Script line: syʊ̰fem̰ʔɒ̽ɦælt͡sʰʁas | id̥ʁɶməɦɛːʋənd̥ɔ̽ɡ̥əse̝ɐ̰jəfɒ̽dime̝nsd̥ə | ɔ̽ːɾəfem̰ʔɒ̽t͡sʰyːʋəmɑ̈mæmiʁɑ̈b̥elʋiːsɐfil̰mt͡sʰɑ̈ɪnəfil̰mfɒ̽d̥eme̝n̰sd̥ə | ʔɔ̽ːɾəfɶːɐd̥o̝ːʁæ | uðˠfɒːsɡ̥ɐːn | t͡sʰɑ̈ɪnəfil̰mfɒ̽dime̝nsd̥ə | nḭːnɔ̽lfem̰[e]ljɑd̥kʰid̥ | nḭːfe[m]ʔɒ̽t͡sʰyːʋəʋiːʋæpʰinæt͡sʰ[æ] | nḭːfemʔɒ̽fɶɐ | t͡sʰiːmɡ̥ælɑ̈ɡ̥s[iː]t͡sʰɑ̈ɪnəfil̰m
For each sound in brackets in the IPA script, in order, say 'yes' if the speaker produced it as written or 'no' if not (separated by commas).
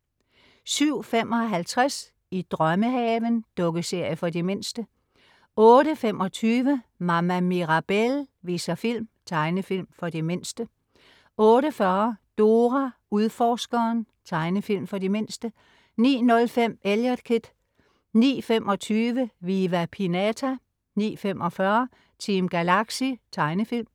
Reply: yes, yes, yes, no